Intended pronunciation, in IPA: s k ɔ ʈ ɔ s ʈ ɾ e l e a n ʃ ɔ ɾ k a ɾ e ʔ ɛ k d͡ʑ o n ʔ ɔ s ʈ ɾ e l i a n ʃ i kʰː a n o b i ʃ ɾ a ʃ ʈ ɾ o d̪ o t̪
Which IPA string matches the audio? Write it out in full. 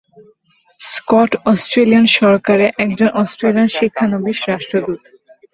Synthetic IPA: s k ɔ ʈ ɔ s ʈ ɾ e l i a n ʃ ɔ ɾ k a ɾ e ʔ ɛ k d͡ʑ o n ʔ ɔ s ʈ ɾ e l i a n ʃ i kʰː a n o b i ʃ ɾ a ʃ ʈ ɾ o d̪ u t̪